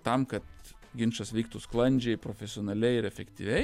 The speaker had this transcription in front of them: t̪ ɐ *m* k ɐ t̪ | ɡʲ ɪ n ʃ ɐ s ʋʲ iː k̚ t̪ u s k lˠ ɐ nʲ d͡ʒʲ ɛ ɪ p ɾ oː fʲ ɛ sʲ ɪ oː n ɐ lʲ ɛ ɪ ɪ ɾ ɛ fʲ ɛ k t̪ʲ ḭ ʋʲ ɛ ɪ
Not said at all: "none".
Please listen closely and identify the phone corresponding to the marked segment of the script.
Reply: m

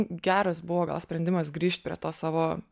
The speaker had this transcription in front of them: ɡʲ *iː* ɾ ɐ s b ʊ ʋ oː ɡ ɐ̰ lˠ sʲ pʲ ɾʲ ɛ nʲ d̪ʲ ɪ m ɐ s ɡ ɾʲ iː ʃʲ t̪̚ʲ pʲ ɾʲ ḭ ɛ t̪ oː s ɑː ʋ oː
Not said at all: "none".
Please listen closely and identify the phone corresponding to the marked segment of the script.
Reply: æː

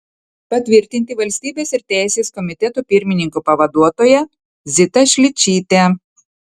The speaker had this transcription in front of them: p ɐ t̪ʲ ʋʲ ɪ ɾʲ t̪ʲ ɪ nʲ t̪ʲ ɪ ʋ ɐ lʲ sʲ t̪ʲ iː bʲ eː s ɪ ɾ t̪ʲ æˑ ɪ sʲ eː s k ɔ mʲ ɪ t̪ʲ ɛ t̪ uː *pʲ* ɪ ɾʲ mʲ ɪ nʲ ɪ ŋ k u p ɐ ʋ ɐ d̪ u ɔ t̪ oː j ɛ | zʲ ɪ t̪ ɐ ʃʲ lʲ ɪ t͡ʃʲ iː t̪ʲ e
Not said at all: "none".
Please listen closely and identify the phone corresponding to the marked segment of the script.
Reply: pʲ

